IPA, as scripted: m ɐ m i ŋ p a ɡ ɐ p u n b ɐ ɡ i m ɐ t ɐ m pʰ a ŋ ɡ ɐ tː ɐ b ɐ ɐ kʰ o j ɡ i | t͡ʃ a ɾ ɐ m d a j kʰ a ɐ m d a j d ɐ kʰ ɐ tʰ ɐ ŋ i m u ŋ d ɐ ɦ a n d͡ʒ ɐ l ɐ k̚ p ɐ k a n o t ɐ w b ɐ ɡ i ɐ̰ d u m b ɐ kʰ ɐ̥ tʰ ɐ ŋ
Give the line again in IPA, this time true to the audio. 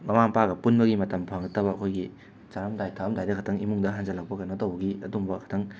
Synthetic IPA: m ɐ m a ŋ p a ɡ ɐ p u n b ɐ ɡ i m ɐ t ɐ m pʰ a ŋ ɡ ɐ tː ɐ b ɐ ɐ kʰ o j ɡ i | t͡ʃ a ɾ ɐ m d a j tʰ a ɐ m d a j d ɐ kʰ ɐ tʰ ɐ ŋ i m u ŋ d ɐ ɦ a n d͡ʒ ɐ l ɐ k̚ p ɐ k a n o t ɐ w b ɐ ɡ i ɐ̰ d u m b ɐ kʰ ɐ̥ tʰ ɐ ŋ